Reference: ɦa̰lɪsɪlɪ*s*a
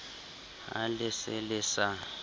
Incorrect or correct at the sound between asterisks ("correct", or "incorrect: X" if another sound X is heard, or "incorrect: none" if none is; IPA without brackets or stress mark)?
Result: correct